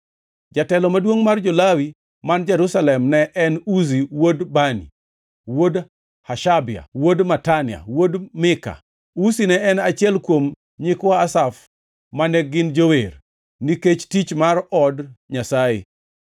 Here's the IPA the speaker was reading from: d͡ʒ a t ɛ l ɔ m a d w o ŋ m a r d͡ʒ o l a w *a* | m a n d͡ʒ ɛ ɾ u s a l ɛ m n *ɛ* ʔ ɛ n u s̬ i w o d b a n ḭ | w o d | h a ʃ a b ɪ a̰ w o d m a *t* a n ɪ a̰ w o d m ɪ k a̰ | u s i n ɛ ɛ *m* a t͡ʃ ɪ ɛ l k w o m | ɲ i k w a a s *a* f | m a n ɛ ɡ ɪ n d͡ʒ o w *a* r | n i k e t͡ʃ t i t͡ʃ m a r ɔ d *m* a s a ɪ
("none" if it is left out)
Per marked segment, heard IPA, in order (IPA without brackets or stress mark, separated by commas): i, ɛ, t, n, a, e, ɲ